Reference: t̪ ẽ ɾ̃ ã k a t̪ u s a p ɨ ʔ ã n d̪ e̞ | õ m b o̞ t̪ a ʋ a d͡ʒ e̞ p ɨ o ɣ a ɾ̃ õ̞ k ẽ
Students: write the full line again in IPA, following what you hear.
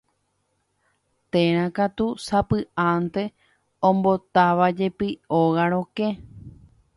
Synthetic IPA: t̪ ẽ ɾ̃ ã k a t̪ u s a p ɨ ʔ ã n t̪ e̞ | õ m b o̞ t̪ a ʋ a d͡ʒ e̞ p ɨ o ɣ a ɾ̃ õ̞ k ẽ